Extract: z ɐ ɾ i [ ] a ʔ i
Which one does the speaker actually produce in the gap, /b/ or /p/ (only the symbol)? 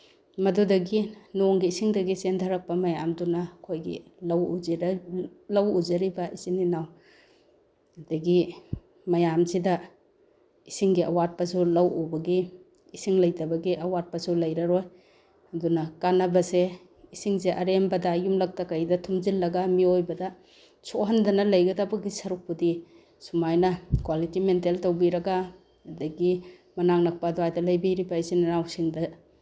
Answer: b